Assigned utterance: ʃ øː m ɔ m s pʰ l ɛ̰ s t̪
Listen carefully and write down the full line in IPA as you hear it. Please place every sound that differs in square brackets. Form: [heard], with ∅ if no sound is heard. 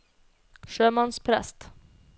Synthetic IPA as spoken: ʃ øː m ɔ [n] s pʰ [ɾ] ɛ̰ s t̪